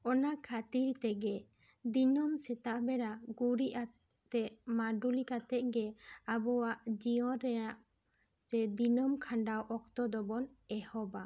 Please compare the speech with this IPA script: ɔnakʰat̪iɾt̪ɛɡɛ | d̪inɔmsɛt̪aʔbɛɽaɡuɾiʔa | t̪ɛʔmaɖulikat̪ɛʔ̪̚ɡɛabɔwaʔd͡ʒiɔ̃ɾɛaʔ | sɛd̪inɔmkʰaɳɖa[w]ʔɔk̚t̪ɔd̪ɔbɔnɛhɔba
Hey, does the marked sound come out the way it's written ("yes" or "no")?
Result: yes